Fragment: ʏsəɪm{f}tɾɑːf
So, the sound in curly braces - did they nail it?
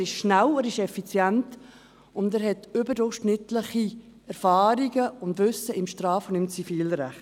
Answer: no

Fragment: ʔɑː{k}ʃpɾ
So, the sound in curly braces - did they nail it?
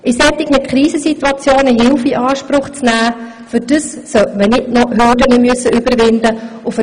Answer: no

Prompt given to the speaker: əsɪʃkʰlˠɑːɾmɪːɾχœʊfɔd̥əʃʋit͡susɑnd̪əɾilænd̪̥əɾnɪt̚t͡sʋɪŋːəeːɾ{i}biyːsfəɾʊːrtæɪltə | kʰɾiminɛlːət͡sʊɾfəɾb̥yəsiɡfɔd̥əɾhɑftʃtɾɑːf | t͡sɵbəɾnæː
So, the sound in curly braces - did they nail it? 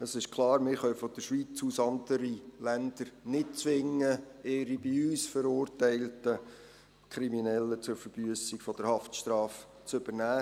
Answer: yes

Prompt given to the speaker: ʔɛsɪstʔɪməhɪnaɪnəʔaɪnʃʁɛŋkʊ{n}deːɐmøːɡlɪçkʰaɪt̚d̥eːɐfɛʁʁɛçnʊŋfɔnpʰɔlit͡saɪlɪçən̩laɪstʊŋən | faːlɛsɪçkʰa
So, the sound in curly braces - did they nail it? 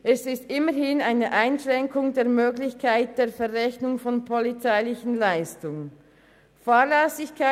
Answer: no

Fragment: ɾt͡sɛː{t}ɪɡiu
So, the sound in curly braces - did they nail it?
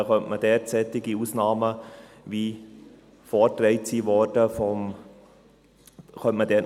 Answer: yes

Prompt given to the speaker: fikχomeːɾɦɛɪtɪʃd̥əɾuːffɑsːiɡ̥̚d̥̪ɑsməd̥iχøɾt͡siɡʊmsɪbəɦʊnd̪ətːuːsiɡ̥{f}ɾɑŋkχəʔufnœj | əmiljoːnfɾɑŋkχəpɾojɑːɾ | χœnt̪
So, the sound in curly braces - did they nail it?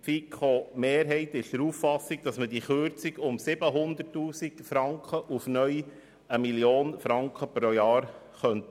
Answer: yes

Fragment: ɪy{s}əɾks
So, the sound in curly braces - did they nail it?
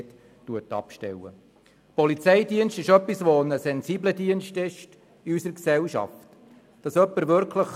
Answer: yes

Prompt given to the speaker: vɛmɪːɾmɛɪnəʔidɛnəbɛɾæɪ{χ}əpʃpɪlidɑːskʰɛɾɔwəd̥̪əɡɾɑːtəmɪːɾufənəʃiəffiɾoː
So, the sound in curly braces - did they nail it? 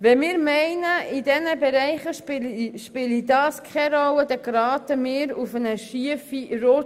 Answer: yes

